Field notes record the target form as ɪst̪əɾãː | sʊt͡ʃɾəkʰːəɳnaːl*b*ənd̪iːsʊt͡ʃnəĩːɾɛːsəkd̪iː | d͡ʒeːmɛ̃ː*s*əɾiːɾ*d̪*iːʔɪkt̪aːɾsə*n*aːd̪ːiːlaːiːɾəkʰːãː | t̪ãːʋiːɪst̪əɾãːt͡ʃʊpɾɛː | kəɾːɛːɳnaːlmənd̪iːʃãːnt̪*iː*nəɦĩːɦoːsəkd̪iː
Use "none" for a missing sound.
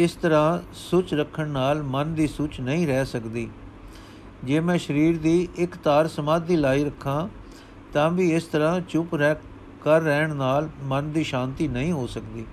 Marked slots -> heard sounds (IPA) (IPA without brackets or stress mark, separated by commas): m, ʃ, d̪, m, iː